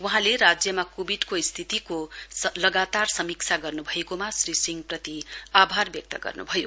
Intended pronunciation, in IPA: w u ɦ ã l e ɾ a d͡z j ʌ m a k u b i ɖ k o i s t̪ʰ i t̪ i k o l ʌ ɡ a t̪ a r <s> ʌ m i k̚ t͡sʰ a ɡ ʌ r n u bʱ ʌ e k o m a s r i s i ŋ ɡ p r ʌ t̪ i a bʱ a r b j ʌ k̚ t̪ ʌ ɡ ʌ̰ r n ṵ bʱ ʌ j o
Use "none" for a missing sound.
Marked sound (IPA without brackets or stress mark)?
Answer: s